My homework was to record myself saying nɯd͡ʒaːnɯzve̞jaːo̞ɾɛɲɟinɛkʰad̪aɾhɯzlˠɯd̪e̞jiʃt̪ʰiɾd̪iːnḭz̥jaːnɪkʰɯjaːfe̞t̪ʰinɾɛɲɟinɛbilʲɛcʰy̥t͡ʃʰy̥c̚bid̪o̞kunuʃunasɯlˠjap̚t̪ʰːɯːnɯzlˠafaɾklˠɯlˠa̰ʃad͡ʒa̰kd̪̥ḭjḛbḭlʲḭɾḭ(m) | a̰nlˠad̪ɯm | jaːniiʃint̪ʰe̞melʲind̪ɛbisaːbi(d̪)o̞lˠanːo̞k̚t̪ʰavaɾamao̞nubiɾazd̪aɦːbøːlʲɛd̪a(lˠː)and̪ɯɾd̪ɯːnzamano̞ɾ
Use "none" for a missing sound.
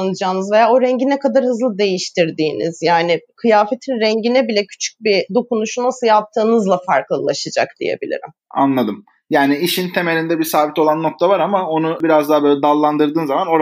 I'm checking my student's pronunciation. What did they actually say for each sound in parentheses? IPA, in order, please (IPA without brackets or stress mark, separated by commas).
m, t̪, lˠː